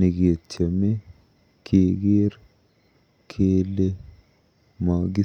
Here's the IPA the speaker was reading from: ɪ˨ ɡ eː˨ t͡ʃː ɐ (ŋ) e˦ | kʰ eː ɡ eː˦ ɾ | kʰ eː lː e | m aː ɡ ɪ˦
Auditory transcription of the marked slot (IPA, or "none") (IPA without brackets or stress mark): m